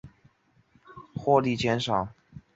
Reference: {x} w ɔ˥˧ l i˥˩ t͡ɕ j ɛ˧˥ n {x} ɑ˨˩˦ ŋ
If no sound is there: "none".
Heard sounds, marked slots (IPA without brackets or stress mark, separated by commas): x, ʂ